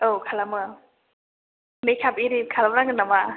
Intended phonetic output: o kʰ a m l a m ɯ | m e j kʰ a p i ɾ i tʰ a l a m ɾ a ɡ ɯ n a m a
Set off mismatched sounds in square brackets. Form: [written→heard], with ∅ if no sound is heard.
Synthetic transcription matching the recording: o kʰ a [m→∅] l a m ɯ | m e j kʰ a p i ɾ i [tʰ→kʰ] a l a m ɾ a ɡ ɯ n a m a